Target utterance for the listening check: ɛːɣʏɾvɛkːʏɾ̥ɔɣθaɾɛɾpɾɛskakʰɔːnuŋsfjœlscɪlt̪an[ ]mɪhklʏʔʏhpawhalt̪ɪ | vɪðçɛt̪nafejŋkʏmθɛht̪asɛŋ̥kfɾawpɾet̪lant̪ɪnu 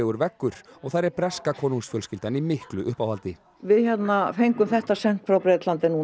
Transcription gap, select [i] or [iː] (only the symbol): i